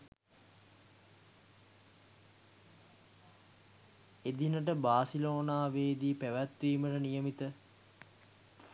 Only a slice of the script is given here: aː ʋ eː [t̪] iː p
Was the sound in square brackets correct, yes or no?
no